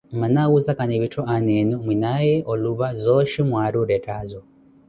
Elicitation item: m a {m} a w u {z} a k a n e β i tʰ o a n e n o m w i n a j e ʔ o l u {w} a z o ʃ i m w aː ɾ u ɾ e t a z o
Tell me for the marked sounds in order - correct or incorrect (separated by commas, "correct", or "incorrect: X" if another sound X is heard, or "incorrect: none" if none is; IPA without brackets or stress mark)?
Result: incorrect: n, correct, incorrect: β